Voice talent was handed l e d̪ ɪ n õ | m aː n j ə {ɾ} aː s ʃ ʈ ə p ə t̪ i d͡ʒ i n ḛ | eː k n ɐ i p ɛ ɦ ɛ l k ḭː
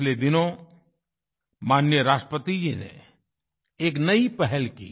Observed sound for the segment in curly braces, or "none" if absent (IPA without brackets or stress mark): ɾ